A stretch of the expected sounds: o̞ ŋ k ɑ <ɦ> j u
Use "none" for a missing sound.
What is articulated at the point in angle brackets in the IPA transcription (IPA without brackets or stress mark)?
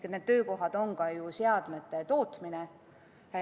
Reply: none